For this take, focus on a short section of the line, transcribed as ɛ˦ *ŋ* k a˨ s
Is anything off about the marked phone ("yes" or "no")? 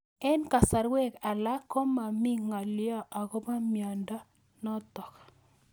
yes